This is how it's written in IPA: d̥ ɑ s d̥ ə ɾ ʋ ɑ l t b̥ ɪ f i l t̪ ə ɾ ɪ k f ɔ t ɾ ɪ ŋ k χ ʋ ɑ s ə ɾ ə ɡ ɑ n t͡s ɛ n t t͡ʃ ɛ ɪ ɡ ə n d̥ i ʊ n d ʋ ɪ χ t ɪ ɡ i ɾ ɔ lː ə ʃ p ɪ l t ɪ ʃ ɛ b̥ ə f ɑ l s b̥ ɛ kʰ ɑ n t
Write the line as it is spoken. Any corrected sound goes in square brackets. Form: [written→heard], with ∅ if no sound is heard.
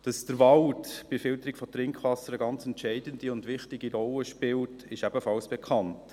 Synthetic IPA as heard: d̥ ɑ s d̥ ə ɾ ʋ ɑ l t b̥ ɪ f [i→ɪ] l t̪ ə ɾ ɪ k f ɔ t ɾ ɪ ŋ k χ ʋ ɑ s ə ɾ ə ɡ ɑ n t͡s ɛ n t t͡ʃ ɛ ɪ [ɡ→d] ə n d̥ i ʊ n d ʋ ɪ χ t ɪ ɡ i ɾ ɔ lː ə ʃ p ɪ l t ɪ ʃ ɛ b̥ ə f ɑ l s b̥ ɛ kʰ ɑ n t